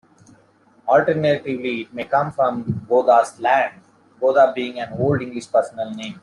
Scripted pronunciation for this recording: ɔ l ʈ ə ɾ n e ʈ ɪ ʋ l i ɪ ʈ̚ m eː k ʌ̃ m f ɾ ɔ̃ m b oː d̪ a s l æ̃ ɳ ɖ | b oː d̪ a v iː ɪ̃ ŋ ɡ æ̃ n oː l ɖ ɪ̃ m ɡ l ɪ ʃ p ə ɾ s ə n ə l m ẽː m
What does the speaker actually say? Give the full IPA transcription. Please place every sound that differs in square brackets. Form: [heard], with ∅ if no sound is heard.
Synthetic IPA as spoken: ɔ l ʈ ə ɾ n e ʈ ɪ ʋ l i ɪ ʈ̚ m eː k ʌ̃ m f ɾ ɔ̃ m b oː d̪ a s l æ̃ ɳ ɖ | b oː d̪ a [b] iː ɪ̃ ŋ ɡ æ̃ n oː l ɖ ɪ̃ [ŋ] ɡ l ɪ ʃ p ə ɾ s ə n ə l [n] ẽː m